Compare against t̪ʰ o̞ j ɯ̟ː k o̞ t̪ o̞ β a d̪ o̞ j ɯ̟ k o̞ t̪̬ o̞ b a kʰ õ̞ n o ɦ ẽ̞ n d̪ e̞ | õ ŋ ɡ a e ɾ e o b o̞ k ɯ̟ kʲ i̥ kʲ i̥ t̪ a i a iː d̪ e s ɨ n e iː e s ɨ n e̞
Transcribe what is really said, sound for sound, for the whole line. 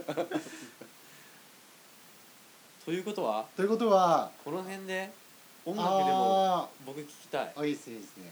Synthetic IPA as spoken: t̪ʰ o̞ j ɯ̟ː k o̞ t̪ o̞ β a t̪ o̞ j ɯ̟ k o̞ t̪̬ o̞ β a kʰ o̞ n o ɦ ẽ̞ n d̪ e̞ | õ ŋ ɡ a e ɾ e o b o̞ k ɯ̟ kʲ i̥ kʲ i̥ t̪ a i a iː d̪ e s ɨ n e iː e s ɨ n e̞